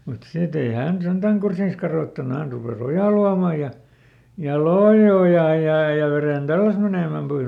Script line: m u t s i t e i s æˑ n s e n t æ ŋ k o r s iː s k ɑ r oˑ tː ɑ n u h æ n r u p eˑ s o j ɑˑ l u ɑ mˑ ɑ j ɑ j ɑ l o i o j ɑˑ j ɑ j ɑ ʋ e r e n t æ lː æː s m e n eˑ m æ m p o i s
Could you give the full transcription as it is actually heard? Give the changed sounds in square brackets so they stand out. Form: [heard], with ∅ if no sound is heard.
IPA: m u t s i t e i [h] æˑ n s e n t æ ŋ k [u] r s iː s k ɑ r oˑ tː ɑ n u h æ n r u p eˑ s o j ɑˑ l u ɑ mˑ ɑ j ɑ j ɑ l o i o j ɑˑ j ɑ j ɑ ʋ e r e n t æ lː [æ] s m e n eˑ m æ m p o i s

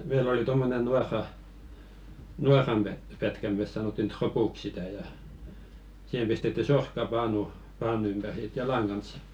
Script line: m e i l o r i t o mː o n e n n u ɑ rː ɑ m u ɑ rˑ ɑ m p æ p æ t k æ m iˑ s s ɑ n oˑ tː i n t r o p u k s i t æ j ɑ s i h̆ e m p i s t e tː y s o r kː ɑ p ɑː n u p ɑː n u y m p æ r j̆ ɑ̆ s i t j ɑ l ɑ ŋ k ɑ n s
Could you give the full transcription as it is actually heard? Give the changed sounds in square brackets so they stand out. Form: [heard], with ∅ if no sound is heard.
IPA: m e i l o [l] i t o mː o n e n n u ɑ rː ɑ [n] u ɑ rˑ ɑ m p æ p æ t k æ m [eˑ] s s ɑ n oˑ tː i n t r o p u k s i t æ j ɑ s i h̆ e m p i s t e tː y s o r kː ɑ p ɑː n u p ɑː n u y m p æ r j̆ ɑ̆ s i t j ɑ l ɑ ŋ k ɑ n s

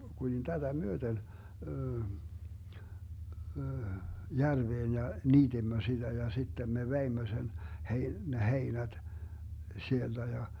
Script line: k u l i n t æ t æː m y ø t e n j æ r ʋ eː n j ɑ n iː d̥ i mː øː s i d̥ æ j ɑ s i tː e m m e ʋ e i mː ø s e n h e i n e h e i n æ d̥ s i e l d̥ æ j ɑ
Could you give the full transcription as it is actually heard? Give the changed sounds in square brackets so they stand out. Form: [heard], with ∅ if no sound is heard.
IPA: k u l i n t æ t [æ] m y ø t e n j æ r ʋ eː n j ɑ n iː d̥ i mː [ø] s i d̥ æ j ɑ s i tː e m m e ʋ e i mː ø s e n h e i n e h e i n æ d̥ s i e l d̥ æ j ɑ

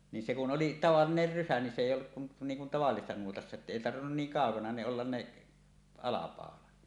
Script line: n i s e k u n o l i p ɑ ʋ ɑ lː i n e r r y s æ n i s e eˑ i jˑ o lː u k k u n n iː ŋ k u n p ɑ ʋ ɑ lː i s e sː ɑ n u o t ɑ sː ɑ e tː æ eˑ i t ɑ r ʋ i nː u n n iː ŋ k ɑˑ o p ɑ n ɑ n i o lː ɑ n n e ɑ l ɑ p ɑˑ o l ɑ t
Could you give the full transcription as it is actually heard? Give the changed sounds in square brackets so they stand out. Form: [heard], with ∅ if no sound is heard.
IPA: n i s e k u n o l i [t] ɑ ʋ ɑ lː i n e r r y s æ n i s e eˑ i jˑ o lː u k k u n n iː ŋ k u n [t] ɑ ʋ ɑ lː i s e sː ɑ n u o t ɑ sː ɑ e tː æ eˑ i t ɑ r ʋ i nː u n n iː ŋ k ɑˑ o [k] ɑ n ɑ n [e] o lː ɑ n n e ɑ l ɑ p ɑˑ o l ɑ t

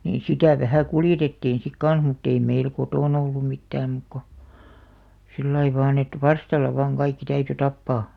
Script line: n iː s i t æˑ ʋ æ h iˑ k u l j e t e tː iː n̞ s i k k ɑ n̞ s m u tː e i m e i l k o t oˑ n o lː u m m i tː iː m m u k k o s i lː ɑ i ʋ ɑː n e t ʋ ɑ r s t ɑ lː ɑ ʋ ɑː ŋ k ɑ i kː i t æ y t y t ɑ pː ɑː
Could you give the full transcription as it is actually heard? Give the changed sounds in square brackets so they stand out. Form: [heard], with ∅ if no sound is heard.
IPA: n iː s i t æˑ ʋ æ h [æˑ] k u l j e t e tː iː n̞ s i k k ɑ n̞ s m u tː e i m e i l k o t oˑ n o lː u m m i tː [æː] m m u k k o s i lː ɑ i ʋ ɑː n e t ʋ ɑ r s t ɑ lː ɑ ʋ ɑː ŋ k ɑ i kː i t æ y t y t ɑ pː ɑː

